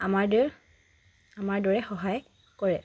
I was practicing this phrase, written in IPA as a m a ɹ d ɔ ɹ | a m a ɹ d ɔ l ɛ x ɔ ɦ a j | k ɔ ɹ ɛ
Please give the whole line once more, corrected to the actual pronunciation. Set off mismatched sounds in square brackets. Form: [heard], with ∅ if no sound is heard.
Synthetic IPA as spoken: a m a ɹ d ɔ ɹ | a m a ɹ d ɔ [ɹ] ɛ x ɔ ɦ a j | k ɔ ɹ ɛ